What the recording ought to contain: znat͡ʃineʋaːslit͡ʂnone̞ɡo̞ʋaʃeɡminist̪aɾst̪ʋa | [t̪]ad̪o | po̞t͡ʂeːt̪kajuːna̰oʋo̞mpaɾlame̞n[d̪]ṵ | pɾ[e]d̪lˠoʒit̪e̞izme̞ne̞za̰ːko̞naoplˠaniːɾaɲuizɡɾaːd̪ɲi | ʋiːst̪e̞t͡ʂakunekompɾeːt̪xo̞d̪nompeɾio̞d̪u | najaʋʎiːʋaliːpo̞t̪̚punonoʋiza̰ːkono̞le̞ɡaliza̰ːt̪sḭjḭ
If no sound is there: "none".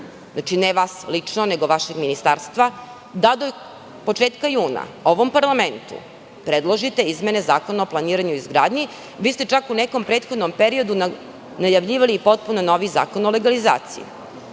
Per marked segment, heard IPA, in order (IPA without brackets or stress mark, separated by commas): d̪, t̪, e